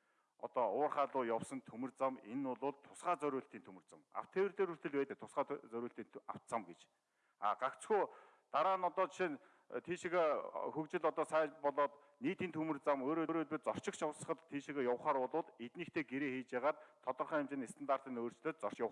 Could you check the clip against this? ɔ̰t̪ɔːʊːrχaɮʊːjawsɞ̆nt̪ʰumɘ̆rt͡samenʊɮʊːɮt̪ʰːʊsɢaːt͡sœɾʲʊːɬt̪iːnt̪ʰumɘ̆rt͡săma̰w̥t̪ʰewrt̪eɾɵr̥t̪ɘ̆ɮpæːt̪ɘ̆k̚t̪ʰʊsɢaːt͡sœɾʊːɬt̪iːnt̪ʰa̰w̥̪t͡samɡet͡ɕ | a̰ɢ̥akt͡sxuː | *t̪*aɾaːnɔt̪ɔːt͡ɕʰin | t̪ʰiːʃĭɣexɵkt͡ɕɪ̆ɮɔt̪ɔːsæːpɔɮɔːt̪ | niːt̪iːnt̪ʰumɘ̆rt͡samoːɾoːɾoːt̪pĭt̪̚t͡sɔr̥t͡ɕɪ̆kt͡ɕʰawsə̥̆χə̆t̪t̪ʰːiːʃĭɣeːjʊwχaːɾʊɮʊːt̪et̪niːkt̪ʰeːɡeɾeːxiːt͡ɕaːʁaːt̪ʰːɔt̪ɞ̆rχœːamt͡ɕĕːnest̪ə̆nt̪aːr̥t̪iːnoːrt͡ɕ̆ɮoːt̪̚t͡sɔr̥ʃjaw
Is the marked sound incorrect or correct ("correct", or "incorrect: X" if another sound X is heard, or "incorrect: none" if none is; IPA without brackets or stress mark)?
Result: correct